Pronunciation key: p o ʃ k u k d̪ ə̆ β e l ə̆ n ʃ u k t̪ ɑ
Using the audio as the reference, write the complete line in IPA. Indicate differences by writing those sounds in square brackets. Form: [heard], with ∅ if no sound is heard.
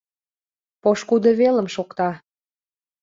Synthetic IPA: p o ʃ k u [∅] d̪ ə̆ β e l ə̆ [m] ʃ [o] k t̪ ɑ